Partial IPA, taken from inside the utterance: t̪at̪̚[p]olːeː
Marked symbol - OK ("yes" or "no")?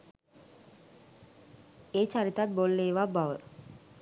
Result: no